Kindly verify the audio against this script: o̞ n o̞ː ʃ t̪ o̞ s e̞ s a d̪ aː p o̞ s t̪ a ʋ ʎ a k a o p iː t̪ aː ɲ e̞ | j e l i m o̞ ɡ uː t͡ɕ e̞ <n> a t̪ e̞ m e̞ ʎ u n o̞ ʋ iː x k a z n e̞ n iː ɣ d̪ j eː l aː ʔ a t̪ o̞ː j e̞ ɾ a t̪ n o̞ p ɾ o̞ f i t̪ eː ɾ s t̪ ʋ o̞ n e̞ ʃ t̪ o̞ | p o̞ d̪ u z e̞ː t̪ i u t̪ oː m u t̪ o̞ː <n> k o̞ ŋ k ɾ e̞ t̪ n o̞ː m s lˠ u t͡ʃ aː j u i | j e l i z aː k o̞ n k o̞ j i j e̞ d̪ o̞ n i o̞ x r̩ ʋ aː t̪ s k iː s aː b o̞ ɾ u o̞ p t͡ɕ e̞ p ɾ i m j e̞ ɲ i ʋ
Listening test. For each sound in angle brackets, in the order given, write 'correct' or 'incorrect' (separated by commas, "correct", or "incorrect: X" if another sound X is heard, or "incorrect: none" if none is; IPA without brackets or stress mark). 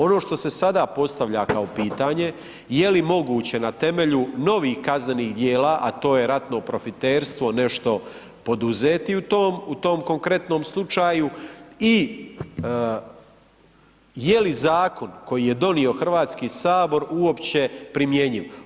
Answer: correct, incorrect: m